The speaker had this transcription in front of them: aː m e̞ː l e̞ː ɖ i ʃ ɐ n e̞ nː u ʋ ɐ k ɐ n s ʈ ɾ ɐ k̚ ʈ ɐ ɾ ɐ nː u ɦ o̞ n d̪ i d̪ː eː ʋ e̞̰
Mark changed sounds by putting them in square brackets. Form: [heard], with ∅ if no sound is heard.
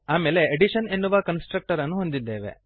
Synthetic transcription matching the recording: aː m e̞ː l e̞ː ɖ i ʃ ɐ n e̞ nː u ʋ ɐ k ɐ n s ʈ ɾ ɐ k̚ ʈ ɐ ɾ ɐ nː u ɦ o̞ n d̪ i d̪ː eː ʋ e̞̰